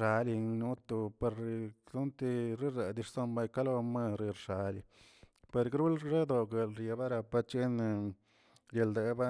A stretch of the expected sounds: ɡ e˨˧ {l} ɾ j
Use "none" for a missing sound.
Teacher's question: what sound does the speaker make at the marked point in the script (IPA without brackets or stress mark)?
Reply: l